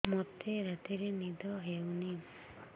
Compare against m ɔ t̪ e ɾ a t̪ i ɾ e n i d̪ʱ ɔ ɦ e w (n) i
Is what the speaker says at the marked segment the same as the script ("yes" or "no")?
yes